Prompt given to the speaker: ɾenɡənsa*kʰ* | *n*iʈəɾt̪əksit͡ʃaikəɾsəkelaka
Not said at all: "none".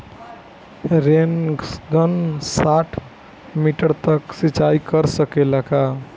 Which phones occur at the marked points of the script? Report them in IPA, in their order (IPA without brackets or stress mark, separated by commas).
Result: ʈʰ, m